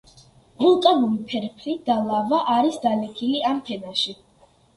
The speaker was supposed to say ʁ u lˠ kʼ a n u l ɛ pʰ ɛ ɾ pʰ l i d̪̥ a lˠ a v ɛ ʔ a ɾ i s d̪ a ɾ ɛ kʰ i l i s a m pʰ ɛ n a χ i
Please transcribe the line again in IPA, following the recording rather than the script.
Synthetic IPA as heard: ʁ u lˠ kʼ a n u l i pʰ ɛ ɾ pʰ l i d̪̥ a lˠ a v a ʔ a ɾ i s d̪ a l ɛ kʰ i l i a m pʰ ɛ n a ʃ i